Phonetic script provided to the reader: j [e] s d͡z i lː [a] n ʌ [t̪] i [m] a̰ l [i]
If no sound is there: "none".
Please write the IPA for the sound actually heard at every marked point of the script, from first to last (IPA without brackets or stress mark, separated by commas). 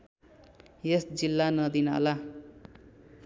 e, a, d̪, n, a